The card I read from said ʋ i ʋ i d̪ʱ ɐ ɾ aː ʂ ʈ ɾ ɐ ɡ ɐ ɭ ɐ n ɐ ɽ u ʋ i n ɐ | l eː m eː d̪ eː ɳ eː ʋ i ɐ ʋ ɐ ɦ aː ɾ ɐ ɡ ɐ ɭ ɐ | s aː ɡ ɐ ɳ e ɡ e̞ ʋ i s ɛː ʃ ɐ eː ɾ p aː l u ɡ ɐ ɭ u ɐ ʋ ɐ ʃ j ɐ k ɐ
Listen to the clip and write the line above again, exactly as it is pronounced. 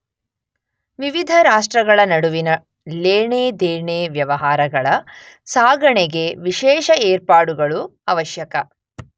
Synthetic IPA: ʋ i ʋ i d̪ʱ ɐ ɾ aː ʂ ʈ ɾ ɐ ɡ ɐ ɭ ɐ n ɐ ɽ u ʋ i n ɐ | l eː ɳ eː d̪ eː ɳ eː ʋ j ɐ ʋ ɐ ɦ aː ɾ ɐ ɡ ɐ ɭ ɐ | s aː ɡ ɐ ɳ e ɡ e̞ ʋ i ʃ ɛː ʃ ɐ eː ɾ p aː ɽ u ɡ ɐ ɭ u ɐ ʋ ɐ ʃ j ɐ k ɐ